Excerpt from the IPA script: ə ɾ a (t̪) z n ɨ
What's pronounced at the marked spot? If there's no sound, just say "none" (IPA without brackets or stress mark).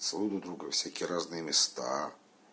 none